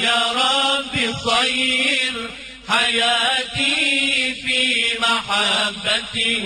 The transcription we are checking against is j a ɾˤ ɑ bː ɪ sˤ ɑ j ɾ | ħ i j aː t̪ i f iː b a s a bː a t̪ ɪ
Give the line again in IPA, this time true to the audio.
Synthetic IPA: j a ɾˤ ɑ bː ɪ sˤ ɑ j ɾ | ħ a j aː t̪ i f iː m a ħ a bː a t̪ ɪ